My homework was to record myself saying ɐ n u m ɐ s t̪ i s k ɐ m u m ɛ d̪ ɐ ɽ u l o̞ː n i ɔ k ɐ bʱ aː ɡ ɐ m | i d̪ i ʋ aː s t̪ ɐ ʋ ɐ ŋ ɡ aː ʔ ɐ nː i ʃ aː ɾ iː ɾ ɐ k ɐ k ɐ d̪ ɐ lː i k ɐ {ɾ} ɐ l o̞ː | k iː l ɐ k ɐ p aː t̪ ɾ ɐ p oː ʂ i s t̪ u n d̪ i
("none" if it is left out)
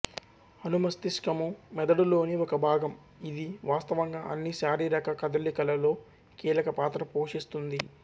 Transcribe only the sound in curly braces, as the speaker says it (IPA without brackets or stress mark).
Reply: l